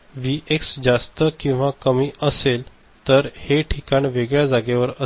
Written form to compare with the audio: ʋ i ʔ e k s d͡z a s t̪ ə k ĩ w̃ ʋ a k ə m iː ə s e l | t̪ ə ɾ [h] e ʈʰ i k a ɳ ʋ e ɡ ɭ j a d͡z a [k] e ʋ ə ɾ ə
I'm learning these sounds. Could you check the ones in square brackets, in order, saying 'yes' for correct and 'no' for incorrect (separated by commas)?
yes, no